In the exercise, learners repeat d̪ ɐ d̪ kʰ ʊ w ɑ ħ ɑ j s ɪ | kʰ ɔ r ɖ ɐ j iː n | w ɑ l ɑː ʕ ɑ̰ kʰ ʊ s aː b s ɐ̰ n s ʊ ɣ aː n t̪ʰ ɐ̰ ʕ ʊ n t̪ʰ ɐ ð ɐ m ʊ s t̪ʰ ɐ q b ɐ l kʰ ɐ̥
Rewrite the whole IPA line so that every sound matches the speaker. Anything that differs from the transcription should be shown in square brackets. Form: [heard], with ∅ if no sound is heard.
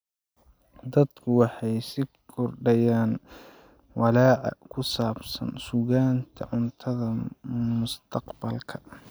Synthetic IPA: d̪ ɐ d̪ kʰ ʊ w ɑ ħ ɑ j s ɪ | kʰ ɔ r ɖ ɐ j [aː] n | w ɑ l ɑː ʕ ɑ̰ kʰ ʊ s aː b s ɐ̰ n s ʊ ɣ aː n t̪ʰ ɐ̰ ʕ ʊ n t̪ʰ ɐ ð ɐ m ʊ s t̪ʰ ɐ q b ɐ l kʰ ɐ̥

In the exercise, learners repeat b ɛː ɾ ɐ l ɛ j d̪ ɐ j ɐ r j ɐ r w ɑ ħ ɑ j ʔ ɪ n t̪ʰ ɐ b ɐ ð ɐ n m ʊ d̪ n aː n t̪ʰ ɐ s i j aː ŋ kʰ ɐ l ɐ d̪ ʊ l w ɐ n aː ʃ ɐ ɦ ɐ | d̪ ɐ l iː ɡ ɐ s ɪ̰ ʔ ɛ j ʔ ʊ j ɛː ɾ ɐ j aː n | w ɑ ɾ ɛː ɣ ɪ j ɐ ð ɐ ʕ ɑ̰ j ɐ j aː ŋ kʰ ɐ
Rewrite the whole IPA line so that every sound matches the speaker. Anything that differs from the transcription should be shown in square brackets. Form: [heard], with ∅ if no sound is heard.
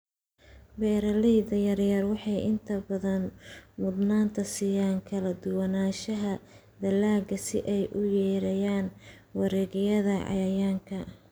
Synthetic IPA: b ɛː ɾ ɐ l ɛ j d̪ ɐ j ɐ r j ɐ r w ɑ ħ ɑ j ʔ ɪ n t̪ʰ ɐ b ɐ ð ɐ n m ʊ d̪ n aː n t̪ʰ ɐ s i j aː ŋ kʰ ɐ l ɐ d̪ ʊ [∅] w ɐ n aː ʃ ɐ ɦ ɐ | d̪ ɐ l [aː] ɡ ɐ s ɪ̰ ʔ ɛ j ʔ ʊ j ɛː ɾ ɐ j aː n | w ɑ ɾ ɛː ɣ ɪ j ɐ ð ɐ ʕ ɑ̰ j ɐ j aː ŋ kʰ ɐ

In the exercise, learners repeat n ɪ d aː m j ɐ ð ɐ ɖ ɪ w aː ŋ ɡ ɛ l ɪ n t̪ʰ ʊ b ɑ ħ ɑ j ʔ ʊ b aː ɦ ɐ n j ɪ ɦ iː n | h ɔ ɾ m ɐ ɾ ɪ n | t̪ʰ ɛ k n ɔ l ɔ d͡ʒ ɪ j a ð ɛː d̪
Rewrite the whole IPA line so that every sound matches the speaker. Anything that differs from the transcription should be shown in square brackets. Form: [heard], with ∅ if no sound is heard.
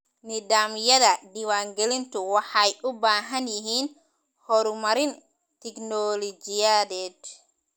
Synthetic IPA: n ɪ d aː m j ɐ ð ɐ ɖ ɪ w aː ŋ ɡ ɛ l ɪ n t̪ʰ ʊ [w] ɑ ħ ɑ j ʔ ʊ b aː ɦ ɐ n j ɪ ɦ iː n | h ɔ ɾ m ɐ ɾ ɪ n | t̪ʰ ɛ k n ɔ l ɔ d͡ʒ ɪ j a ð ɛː d̪

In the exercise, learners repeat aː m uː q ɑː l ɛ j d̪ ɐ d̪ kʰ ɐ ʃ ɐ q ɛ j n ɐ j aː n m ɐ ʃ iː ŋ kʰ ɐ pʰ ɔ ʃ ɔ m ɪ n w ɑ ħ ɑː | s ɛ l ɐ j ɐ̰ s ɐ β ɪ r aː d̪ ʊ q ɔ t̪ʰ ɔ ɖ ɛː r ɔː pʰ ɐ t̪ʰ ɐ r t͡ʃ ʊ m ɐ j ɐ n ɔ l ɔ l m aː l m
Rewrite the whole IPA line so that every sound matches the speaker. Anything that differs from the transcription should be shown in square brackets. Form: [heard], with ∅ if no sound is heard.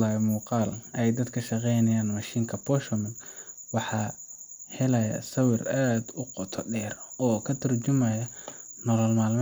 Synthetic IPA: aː m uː q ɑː l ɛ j d̪ ɐ d̪ kʰ ɐ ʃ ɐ q ɛ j n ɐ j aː n m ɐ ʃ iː ŋ kʰ ɐ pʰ ɔ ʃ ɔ m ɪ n w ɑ ħ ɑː | [h] ɛ l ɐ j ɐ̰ s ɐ [w] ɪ r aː d̪ ʊ q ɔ t̪ʰ ɔ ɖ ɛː r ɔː [kʰ] ɐ t̪ʰ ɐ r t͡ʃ ʊ m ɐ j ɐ n ɔ l ɔ l m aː l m

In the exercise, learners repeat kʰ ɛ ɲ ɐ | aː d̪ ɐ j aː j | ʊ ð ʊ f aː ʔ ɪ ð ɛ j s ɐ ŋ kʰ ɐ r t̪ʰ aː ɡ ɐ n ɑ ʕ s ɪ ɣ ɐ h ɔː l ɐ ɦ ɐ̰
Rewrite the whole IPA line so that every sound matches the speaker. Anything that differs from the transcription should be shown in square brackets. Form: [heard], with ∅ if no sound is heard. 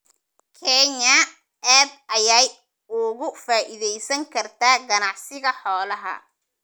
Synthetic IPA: kʰ ɛ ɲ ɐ | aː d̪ ɐ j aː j | ʊ [ɣ] ʊ f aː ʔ ɪ ð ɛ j s ɐ ŋ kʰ ɐ r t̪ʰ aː ɡ ɐ n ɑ ʕ s ɪ ɣ ɐ [ħ] ɔː l ɐ ɦ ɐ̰

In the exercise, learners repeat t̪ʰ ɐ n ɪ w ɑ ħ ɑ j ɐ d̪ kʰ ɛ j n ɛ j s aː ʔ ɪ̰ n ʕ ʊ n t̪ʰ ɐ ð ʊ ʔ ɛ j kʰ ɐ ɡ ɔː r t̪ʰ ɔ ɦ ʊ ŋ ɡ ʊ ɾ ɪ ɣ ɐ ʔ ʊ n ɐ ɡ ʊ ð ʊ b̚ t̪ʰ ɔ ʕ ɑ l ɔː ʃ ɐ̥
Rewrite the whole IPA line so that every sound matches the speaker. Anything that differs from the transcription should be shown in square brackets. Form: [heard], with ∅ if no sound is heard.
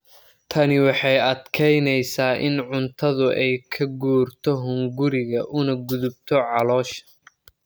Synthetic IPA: t̪ʰ ɐ n ɪ w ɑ ħ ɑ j ɐ d̪ kʰ ɛ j n ɛ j s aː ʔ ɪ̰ n ʕ ʊ n t̪ʰ ɐ ð ʊ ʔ ɛ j kʰ ɐ ɡ [uː] r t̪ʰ ɔ ɦ ʊ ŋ ɡ ʊ ɾ ɪ ɣ ɐ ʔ ʊ n ɐ ɡ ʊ ð ʊ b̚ t̪ʰ ɔ ʕ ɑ l ɔː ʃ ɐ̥

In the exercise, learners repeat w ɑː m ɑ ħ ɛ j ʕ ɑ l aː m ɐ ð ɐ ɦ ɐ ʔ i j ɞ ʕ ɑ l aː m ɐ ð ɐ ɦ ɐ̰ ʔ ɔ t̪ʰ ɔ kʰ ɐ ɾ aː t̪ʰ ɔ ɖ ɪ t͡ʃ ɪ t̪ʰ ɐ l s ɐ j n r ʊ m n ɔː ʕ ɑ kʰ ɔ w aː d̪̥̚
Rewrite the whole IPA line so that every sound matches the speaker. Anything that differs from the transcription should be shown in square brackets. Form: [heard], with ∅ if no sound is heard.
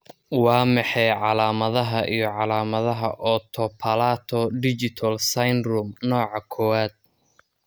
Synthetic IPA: w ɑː m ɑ ħ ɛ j ʕ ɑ l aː m ɐ ð ɐ ɦ ɐ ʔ i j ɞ ʕ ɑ l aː m ɐ ð ɐ ɦ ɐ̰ ʔ ɔ t̪ʰ ɔ [pʰ] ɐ [l] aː t̪ʰ ɔ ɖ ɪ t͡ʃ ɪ t̪ʰ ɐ l s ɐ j n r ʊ m n ɔː ʕ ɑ kʰ ɔ w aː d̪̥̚

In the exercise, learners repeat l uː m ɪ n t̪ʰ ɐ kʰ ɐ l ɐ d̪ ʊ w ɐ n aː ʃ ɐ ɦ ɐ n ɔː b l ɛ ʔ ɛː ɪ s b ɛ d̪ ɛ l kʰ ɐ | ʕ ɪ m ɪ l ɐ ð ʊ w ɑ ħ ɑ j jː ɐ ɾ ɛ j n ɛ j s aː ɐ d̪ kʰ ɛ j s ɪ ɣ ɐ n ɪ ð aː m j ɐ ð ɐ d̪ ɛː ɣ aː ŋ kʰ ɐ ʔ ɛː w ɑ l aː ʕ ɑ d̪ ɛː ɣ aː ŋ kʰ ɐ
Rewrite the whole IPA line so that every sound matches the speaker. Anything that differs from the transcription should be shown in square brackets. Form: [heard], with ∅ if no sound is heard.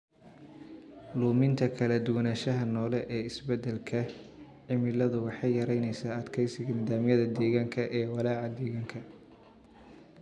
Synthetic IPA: l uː m ɪ n t̪ʰ ɐ kʰ ɐ l ɐ d̪ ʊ w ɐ n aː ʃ ɐ ɦ ɐ n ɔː [∅] l ɛ ʔ ɛː ɪ s b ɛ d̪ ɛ l kʰ ɐ | ʕ ɪ m ɪ l ɐ ð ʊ w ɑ ħ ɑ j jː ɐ ɾ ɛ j n ɛ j s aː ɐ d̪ kʰ ɛ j s ɪ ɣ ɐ n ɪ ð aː m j ɐ ð ɐ d̪ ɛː ɣ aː ŋ kʰ ɐ ʔ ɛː w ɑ l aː ʕ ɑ d̪ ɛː ɣ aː ŋ kʰ ɐ

